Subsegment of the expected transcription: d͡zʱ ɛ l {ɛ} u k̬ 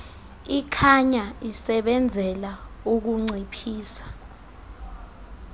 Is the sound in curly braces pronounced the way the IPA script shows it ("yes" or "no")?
no